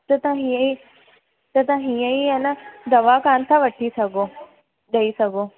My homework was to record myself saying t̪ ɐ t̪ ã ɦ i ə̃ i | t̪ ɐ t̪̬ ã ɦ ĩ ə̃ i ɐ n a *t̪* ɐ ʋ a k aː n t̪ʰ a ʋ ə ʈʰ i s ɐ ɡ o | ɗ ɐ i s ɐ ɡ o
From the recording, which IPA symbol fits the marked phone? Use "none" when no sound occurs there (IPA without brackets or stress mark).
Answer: d̪